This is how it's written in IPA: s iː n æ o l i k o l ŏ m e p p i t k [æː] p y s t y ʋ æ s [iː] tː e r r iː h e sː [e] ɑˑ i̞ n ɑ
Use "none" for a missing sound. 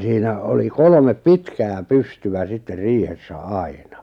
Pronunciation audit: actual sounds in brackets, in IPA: æː, i, æ

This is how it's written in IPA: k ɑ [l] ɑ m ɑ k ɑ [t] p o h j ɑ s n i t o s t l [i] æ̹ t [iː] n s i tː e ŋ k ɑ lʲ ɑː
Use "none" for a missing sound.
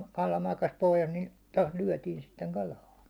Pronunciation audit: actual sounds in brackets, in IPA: l, s, y, iː

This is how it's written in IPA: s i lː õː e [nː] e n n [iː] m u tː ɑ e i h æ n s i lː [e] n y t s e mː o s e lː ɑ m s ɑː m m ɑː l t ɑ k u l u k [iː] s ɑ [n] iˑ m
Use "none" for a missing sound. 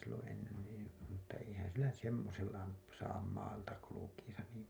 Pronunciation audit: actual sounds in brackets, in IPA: nː, iː, æ, iː, n

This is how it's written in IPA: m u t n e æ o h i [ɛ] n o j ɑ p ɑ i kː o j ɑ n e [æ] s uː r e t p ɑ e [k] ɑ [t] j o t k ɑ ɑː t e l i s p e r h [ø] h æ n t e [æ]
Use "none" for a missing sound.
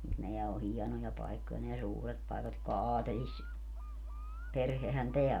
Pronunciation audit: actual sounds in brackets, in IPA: ɛ, æ, k, t, e, æ

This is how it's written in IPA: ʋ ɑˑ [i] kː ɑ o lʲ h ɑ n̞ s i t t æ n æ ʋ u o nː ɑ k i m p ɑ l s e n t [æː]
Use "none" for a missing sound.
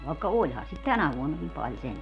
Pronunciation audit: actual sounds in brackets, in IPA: e, æ

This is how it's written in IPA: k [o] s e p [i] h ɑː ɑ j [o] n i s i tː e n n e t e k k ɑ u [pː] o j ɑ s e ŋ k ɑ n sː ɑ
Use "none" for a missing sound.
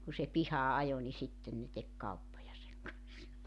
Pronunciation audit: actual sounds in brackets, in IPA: u, i, o, pː

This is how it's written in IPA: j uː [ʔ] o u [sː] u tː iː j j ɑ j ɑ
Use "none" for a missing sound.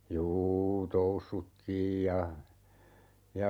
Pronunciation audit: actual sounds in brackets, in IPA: t, sː

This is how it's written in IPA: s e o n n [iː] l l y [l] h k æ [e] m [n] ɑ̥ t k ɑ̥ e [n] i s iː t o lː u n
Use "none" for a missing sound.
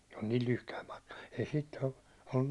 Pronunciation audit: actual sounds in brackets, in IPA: iː, none, i, m, none

